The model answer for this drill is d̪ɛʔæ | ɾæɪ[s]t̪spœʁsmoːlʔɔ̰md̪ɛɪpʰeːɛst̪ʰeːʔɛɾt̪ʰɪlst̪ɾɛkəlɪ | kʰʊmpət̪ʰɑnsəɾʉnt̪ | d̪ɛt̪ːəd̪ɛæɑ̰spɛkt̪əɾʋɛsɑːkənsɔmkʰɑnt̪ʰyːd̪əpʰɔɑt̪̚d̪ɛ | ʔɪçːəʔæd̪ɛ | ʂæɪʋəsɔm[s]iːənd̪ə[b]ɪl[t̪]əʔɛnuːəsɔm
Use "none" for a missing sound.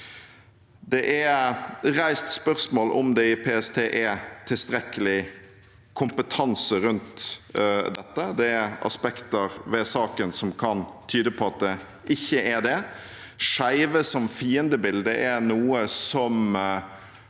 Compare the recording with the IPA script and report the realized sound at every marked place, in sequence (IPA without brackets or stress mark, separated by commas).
s, f, b, d̪